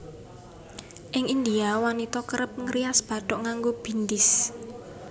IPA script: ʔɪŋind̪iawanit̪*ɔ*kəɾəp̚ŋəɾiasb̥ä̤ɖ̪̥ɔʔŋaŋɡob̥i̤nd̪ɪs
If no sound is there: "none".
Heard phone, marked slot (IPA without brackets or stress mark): ɔ